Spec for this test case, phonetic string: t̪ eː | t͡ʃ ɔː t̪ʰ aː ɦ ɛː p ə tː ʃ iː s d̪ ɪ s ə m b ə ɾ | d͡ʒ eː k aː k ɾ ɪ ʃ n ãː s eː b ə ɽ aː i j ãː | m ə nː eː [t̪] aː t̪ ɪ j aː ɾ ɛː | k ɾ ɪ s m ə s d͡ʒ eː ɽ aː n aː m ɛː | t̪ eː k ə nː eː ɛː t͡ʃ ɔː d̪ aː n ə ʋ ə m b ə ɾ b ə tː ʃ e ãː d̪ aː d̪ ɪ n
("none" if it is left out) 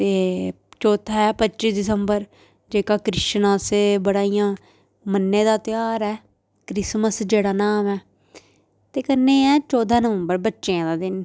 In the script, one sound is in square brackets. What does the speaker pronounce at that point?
d̪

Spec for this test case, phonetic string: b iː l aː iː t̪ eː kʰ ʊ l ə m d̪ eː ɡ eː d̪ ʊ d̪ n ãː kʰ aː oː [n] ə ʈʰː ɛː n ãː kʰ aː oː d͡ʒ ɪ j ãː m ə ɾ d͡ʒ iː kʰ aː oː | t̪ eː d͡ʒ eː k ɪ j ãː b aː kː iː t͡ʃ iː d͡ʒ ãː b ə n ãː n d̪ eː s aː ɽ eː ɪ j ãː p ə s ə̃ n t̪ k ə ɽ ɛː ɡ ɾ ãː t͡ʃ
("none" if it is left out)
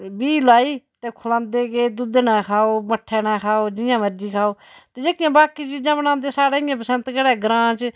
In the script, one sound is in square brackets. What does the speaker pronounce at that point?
m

